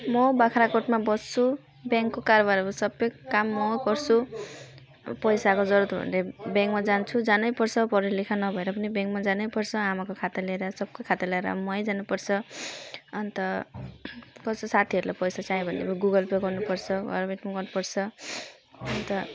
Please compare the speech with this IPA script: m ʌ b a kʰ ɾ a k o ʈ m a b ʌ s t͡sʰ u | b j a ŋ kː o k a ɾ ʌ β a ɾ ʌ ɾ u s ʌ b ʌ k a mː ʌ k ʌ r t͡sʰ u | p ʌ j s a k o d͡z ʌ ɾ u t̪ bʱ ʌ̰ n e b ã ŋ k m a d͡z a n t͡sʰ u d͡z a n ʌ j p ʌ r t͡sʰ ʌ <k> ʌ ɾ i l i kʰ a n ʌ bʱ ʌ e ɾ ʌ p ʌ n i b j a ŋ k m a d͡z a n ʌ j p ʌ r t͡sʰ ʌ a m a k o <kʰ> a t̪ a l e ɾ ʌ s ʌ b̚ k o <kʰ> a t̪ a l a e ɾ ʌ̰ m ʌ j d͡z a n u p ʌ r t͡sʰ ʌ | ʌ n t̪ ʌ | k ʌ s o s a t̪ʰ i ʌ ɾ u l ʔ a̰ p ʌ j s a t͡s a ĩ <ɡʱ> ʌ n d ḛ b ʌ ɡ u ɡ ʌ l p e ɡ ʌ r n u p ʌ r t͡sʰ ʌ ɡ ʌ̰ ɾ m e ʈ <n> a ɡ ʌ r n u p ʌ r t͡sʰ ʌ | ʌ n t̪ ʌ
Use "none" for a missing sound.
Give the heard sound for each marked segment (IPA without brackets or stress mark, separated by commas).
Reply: p, kʰ, kʰ, bʱ, m